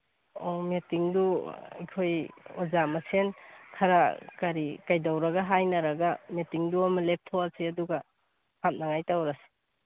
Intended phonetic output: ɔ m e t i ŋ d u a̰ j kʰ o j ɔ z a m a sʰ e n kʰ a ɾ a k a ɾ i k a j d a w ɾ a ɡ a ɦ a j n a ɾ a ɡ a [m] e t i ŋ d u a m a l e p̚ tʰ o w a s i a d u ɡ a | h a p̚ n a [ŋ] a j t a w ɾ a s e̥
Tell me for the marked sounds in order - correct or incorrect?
correct, correct

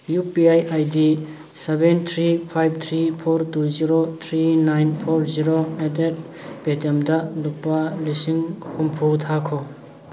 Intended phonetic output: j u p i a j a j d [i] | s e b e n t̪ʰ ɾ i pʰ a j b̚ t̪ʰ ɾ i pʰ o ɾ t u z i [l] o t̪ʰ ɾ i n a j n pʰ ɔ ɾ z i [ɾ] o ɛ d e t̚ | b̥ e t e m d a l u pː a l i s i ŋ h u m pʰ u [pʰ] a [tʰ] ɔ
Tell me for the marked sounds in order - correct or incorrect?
correct, incorrect: ɾ, correct, incorrect: tʰ, incorrect: kʰ

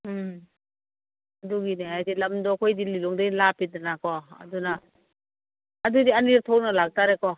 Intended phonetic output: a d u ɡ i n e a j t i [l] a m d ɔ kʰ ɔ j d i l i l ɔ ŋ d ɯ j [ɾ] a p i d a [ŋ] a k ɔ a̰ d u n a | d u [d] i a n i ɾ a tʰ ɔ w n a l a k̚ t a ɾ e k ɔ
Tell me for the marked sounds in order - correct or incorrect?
correct, incorrect: l, incorrect: n, correct

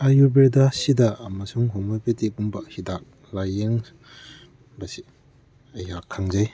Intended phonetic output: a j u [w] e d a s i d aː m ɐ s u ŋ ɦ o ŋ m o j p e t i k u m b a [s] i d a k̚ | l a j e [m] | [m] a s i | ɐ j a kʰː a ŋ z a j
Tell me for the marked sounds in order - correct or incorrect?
incorrect: b, incorrect: h, incorrect: ŋ, incorrect: b

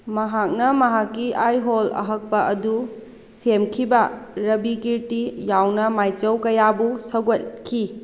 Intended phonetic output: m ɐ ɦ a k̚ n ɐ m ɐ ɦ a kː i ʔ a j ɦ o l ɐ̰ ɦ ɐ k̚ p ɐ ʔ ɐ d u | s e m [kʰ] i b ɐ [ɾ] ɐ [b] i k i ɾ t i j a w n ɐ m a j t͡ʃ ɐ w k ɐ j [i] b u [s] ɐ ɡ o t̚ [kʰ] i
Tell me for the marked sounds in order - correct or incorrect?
correct, correct, correct, incorrect: a, correct, correct

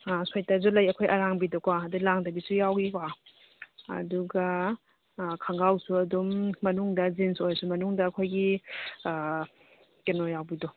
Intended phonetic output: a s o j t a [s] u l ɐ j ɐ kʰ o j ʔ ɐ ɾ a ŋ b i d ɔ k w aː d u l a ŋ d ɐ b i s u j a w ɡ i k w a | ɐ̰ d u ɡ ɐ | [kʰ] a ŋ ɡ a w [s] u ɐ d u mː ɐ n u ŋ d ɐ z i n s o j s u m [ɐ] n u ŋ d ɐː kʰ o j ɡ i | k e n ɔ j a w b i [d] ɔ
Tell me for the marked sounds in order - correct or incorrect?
incorrect: z, correct, correct, correct, correct

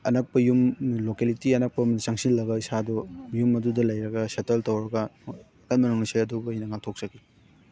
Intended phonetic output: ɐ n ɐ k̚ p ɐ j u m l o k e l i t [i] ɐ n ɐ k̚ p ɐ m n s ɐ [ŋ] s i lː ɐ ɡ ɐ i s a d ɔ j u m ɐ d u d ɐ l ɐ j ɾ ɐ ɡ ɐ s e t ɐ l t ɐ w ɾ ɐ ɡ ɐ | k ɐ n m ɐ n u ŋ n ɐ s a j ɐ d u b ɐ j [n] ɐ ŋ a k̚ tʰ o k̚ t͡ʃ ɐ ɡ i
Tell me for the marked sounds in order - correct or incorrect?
correct, correct, correct

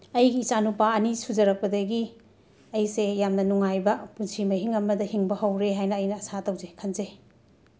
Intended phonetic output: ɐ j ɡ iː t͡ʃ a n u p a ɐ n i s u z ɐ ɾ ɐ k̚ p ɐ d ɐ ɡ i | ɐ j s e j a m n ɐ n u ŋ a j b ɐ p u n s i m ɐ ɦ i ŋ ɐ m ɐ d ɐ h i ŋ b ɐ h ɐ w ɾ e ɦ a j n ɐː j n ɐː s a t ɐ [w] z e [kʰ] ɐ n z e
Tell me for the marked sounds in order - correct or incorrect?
correct, correct

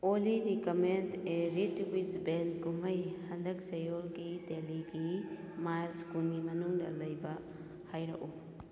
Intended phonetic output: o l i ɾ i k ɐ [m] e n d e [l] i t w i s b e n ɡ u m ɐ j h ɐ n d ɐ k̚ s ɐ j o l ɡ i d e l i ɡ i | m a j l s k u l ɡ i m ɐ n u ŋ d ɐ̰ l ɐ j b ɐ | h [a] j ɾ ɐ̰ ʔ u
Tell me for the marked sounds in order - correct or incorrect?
correct, incorrect: ɾ, correct

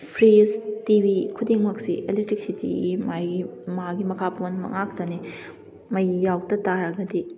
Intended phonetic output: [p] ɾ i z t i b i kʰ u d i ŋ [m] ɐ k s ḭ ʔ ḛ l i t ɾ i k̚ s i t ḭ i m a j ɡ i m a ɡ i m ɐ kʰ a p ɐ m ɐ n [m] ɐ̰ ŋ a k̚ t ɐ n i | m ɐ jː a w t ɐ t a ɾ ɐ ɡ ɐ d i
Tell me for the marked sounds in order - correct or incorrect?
incorrect: pʰ, correct, correct

